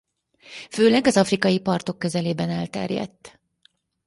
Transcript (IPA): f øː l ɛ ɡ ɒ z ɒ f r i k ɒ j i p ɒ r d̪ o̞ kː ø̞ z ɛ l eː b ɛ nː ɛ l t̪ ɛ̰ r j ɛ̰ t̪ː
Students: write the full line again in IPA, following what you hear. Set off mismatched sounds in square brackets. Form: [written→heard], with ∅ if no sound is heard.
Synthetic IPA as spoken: f øː l ɛ ɡ ɒ z ɒ f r i k ɒ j i p ɒ r [d̪→t̪] o̞ kː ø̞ z ɛ l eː b ɛ [nː→n] ɛ l t̪ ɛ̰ r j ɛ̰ t̪ː